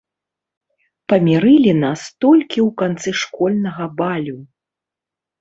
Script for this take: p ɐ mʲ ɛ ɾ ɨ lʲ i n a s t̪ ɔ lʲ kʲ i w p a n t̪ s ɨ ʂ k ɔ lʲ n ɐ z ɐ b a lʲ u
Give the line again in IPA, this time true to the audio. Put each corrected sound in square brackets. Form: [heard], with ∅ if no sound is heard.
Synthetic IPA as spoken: p ɐ mʲ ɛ ɾ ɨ lʲ i n a s t̪ ɔ lʲ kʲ i w [k] a n t̪ s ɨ ʂ k ɔ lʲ n ɐ [ɣ] ɐ b a lʲ u